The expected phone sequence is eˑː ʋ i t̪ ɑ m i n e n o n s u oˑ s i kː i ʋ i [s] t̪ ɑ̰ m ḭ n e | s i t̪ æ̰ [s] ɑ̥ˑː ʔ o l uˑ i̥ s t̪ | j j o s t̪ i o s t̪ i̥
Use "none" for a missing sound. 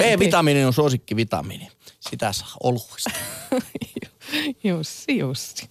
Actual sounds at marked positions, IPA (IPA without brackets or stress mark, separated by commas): none, s